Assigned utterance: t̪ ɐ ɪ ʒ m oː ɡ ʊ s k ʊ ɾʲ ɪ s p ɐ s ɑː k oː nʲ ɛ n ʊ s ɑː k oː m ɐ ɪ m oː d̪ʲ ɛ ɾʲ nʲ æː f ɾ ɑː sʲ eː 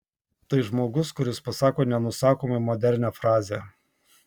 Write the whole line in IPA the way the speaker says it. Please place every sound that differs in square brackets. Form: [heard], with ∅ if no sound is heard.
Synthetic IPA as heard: t̪ ɐ ɪ ʒ m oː ɡ ʊ s k ʊ ɾʲ ɪ s p ɐ s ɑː k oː nʲ ɛ n ʊ s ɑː k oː m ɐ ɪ m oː d̪ʲ ɛ ɾʲ nʲ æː f ɾ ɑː [zʲ] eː